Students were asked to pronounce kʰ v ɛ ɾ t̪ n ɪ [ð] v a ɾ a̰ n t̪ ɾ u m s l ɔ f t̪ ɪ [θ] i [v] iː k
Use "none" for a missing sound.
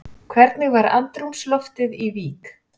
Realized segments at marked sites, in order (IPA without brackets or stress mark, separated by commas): ɣ, ð, v